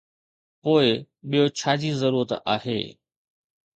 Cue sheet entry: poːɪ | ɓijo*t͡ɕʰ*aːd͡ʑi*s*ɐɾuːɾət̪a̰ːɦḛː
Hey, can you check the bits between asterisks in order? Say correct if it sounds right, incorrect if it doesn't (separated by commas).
correct, incorrect